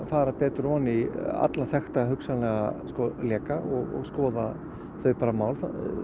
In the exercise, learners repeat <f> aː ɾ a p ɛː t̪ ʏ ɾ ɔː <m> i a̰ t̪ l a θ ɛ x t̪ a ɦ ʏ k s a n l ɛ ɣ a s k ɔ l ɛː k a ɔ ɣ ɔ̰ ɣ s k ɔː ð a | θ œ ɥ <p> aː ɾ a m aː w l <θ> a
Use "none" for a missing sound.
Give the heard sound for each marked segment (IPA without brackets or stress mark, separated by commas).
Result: f, n, p, θ